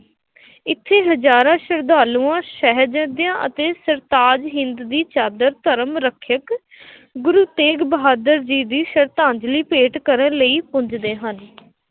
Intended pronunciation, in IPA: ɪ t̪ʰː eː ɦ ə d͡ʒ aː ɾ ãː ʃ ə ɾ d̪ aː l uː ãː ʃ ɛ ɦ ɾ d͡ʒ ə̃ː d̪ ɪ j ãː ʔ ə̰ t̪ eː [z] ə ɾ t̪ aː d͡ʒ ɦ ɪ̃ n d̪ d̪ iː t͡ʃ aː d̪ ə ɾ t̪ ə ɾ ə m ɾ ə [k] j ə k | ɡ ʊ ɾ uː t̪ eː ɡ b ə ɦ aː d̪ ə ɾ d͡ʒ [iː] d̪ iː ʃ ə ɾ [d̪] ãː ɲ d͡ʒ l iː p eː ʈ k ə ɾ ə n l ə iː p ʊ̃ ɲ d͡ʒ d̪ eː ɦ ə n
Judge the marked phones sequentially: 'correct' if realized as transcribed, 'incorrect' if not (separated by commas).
incorrect, incorrect, correct, incorrect